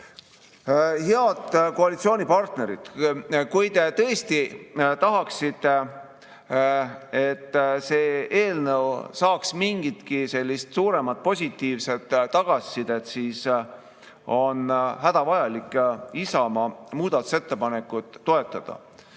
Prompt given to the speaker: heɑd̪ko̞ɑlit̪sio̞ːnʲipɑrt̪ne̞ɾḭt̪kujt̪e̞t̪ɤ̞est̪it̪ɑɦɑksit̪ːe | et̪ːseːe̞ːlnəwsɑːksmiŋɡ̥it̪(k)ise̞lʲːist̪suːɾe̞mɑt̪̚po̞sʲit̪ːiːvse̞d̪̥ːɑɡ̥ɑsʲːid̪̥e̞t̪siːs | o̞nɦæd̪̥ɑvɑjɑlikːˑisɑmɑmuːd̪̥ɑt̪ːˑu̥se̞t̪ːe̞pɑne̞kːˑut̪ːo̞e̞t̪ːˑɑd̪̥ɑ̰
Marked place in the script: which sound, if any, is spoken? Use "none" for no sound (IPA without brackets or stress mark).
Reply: k